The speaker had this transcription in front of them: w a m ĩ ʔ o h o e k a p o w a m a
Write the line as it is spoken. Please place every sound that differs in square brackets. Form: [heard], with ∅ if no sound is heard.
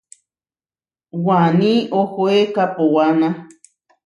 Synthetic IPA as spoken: w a [n] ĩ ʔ o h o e k a p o w a [n] a